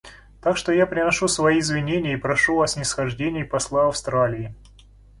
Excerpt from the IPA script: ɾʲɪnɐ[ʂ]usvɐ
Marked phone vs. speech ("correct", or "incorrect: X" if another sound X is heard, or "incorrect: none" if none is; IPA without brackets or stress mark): correct